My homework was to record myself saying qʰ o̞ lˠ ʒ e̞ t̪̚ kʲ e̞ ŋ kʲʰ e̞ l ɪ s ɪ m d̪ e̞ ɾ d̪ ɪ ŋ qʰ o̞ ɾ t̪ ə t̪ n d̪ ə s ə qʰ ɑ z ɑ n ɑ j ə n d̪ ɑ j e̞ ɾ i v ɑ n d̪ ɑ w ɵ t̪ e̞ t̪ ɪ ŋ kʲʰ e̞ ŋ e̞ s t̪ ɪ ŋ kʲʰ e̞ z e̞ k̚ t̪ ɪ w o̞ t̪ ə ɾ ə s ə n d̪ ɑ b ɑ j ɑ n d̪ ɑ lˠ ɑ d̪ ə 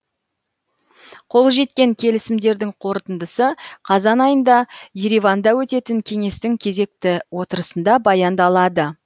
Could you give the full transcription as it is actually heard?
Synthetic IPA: qʰ o̞ lˠ ʒ e̞ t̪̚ kʲ e̞ ŋ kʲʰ e̞ l ɪ s ɪ m d̪ e̞ ɾ d̪ ɪ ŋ qʰ o̞ ɾ t̪ ə n d̪ ə s ə qʰ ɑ z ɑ n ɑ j ə n d̪ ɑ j e̞ ɾ i v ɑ n d̪ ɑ w ɵ t̪ e̞ t̪ ɪ ŋ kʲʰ e̞ ŋ e̞ s t̪ ɪ ŋ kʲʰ e̞ z e̞ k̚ t̪ ɪ w o̞ t̪ ə ɾ ə s ə n d̪ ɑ b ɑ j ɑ n d̪ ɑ lˠ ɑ d̪ ə